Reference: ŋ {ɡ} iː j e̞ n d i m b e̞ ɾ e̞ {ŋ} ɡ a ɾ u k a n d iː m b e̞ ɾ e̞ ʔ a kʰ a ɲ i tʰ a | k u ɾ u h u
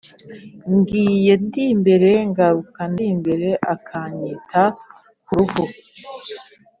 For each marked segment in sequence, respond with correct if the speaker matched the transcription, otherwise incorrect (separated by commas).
correct, correct